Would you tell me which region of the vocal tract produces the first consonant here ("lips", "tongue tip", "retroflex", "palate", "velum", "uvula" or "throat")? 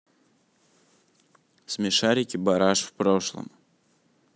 tongue tip